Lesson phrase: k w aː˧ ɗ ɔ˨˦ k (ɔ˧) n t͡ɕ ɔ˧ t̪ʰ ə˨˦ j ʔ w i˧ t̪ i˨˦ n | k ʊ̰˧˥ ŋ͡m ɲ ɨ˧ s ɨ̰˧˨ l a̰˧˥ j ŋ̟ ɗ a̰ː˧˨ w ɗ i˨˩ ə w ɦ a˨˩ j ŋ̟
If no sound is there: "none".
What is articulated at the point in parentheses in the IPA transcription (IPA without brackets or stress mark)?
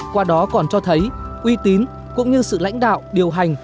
ɔ˨˩